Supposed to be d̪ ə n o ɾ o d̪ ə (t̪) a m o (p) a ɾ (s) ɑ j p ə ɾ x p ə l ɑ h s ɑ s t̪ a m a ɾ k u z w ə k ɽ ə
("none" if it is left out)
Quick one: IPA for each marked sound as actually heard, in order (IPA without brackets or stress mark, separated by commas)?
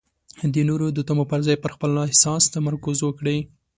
t̪, p, z